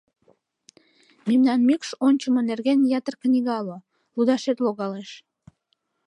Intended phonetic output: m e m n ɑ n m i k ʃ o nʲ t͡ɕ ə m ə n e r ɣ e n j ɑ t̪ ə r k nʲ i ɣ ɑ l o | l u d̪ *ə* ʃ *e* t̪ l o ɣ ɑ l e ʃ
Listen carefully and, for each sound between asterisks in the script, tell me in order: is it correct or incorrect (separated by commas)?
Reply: incorrect, correct